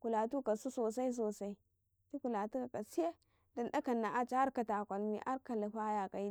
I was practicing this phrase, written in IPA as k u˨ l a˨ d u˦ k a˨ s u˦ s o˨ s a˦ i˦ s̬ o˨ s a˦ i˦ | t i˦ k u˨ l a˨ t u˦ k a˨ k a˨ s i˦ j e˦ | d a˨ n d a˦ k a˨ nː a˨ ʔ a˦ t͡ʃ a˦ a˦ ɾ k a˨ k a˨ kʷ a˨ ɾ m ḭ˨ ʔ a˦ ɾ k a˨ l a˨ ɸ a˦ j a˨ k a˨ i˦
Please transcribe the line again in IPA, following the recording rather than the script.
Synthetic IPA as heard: k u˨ l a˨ t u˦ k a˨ s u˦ s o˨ s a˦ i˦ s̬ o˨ s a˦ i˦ | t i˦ k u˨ l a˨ t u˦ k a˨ k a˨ s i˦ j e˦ | d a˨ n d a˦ k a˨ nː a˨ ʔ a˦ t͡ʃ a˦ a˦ ɾ k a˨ t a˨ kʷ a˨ l m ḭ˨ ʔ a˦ ɾ k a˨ l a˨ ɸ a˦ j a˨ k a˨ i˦

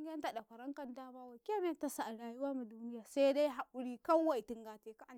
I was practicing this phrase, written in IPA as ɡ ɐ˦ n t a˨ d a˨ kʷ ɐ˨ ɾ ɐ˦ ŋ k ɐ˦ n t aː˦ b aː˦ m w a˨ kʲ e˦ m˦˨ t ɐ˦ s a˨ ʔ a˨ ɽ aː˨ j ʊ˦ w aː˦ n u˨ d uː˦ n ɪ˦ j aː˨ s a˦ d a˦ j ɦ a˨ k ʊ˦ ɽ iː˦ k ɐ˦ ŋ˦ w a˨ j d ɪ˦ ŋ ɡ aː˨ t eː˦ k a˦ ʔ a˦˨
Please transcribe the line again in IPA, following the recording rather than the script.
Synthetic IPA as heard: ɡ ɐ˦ n t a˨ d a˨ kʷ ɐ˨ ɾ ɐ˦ ŋ k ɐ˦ n t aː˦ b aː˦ w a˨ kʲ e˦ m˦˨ t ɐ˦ s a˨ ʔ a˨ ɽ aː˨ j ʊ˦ w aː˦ m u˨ d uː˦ n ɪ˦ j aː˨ s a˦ d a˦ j ɦ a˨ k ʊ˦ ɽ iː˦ k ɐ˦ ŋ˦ w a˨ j t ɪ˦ ŋ ɡ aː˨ t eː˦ k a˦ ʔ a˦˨

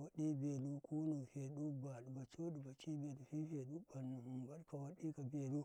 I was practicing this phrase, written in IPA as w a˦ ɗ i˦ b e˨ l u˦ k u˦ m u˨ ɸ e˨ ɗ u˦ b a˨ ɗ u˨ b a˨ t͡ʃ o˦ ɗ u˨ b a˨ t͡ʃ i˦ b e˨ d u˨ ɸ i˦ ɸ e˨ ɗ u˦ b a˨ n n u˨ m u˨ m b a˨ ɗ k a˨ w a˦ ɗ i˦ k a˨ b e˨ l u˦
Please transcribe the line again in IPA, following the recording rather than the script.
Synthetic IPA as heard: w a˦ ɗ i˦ b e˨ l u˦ k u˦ n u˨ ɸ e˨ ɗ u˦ b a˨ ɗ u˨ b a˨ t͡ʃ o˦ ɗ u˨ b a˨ t͡ʃ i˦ b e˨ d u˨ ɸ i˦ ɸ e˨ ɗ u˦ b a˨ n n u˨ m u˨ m b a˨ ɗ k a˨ w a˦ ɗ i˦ k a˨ b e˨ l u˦

